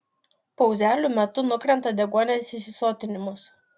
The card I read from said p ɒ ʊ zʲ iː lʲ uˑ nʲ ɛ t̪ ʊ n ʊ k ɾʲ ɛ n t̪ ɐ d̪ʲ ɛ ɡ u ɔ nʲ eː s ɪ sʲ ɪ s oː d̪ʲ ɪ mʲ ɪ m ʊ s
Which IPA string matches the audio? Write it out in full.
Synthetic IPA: p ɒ ʊ zʲ æː lʲ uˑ mʲ ɛ t̪ ʊ n ʊ k ɾʲ ɛ n t̪ ɐ d̪ʲ ɛ ɡ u ɔ nʲ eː s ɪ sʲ ɪ s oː t̪ʲ ɪ nʲ ɪ m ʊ s